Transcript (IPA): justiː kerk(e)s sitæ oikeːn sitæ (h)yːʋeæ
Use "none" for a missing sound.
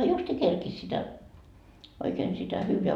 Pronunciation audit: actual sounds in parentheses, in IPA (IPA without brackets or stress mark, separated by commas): i, h